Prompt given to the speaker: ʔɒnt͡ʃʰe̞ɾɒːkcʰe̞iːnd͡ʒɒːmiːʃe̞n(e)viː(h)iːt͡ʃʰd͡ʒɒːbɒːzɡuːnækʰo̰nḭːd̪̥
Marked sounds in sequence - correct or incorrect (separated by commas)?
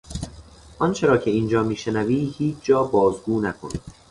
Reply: incorrect, correct